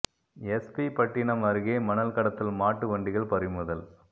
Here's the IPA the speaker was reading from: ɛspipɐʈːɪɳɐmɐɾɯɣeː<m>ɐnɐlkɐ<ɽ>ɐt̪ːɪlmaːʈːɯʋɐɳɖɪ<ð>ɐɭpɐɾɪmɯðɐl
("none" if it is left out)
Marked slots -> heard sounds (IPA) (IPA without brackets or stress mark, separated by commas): m, ɽ, ɣ